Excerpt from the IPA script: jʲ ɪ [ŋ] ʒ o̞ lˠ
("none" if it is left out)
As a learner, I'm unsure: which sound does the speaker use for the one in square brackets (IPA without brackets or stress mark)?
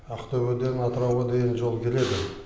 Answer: n